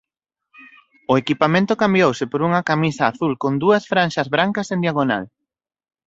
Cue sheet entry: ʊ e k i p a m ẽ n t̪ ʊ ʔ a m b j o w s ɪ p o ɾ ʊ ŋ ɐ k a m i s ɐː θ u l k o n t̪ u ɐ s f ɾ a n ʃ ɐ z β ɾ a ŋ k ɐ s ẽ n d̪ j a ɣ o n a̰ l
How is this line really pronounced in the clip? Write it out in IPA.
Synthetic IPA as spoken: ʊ e k i p a m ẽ n t̪ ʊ k a m b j o w s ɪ p o ɾ u ŋ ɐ k a m i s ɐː θ u l k o n d̪ u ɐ s f ɾ a n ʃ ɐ z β ɾ a ŋ k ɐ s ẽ n d̪ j a ɣ o n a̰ l